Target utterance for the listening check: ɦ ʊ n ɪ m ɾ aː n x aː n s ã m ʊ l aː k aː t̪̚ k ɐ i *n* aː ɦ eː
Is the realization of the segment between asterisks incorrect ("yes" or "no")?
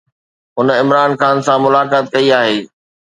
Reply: yes